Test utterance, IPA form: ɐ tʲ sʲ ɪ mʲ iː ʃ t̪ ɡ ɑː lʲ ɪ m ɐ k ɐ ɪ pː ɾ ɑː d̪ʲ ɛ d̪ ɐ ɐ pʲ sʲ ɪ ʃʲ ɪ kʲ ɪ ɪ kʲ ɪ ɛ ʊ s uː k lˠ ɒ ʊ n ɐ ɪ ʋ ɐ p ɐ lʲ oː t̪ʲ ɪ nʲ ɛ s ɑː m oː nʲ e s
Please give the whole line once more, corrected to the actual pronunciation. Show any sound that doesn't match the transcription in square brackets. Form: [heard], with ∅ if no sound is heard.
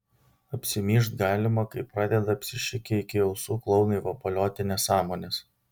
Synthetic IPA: ɐ [pʲ] sʲ ɪ mʲ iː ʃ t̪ ɡ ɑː lʲ ɪ m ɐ k ɐ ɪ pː ɾ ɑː d̪ʲ ɛ d̪ ɐ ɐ pʲ sʲ ɪ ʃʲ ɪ kʲ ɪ ɪ kʲ ɪ ɛ ʊ s uː k lˠ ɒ ʊ n ɐ ɪ ʋ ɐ p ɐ lʲ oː t̪ʲ ɪ nʲ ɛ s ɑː m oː nʲ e s